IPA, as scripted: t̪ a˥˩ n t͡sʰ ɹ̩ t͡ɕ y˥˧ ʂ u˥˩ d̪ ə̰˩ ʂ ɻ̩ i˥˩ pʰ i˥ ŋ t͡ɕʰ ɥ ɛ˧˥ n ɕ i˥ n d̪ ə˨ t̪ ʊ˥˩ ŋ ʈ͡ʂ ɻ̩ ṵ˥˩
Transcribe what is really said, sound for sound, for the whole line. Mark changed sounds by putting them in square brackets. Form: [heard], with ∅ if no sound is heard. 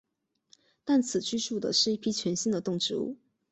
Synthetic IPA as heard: t̪ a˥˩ n t͡sʰ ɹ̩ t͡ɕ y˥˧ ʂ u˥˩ d̪ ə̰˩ ʂ ɻ̩ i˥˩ pʰ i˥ [∅] t͡ɕʰ ɥ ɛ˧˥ n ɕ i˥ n d̪ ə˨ t̪ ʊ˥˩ ŋ ʈ͡ʂ ɻ̩ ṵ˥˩